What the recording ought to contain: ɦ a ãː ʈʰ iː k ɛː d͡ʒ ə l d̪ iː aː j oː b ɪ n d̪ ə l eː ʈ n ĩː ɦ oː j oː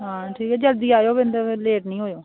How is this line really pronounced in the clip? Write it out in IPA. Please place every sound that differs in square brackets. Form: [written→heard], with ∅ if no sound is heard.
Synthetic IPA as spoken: ɦ a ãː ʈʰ iː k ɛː d͡ʒ ə l d̪ iː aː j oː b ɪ n d̪ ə l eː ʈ n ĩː ɦ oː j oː